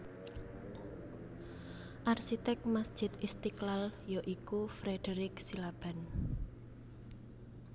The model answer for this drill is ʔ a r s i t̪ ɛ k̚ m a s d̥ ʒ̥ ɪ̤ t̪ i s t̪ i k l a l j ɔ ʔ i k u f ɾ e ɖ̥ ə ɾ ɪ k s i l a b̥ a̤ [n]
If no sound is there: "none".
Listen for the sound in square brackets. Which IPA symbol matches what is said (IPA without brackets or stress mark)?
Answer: n